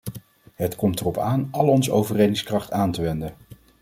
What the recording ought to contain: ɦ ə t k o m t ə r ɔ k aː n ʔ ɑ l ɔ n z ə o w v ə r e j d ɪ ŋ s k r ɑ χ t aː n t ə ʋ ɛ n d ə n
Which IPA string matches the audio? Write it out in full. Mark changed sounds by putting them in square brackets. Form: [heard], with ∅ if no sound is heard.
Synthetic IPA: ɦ ə t k [ɔ] m t ə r ɔ [p] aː n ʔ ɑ l ɔ n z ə o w v ə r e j d ɪ ŋ s k r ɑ χ t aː n t ə ʋ ɛ n d ə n